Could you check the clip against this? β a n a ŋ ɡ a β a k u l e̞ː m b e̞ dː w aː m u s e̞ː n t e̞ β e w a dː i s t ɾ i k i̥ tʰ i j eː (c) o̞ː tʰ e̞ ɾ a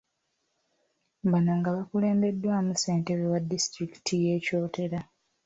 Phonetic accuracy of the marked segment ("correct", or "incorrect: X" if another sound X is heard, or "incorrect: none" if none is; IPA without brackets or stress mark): correct